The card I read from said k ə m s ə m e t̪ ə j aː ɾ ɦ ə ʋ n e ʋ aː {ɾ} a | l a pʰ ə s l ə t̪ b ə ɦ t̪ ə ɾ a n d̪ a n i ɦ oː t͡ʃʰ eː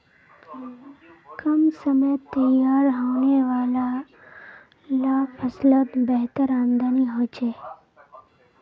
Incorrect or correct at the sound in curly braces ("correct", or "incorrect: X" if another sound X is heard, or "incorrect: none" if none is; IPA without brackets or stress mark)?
incorrect: l